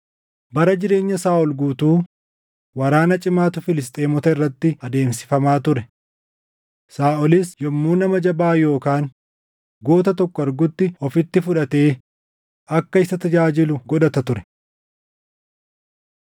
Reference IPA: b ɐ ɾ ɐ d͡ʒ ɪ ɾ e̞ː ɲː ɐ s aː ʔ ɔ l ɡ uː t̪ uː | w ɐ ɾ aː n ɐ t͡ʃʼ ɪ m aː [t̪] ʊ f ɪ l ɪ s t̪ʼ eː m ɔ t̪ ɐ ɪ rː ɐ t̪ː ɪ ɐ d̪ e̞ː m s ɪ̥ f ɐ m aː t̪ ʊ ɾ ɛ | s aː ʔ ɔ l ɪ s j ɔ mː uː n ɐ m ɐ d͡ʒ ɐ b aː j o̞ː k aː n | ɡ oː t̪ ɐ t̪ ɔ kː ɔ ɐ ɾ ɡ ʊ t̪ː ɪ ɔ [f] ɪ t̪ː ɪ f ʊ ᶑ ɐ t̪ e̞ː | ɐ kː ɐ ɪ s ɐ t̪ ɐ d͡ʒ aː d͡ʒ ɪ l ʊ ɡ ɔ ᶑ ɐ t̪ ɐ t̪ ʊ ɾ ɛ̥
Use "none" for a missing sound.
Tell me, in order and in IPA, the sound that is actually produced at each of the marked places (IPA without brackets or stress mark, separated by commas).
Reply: t̪, f